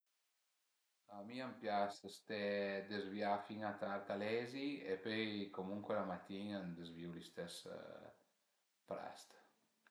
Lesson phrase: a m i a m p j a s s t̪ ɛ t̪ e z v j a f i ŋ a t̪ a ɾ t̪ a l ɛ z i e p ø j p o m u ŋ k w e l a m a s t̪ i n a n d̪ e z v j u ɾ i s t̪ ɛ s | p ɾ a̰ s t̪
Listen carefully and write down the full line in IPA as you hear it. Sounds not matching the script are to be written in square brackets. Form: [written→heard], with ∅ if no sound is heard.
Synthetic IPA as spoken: a m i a m p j a s s t̪ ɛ [t̪→d̪] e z v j a f i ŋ a t̪ a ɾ t̪ a l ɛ z i e p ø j [p→k] o m u ŋ k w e l a m a [s→∅] t̪ i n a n d̪ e z v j u [ɾ→l] i s t̪ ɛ s | p ɾ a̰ s t̪